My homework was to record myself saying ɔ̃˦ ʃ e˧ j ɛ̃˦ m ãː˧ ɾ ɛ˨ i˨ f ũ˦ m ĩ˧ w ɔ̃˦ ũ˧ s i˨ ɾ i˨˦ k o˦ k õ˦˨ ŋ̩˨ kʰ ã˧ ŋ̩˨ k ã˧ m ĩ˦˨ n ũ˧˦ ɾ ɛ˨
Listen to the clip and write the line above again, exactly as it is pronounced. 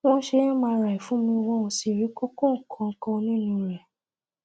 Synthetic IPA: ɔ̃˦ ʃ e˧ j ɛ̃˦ m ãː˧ ɾ a˨ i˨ f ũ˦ m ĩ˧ w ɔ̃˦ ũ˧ s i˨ ɾ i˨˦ k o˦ k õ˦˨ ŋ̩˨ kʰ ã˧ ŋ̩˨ k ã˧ n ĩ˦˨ n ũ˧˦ ɾ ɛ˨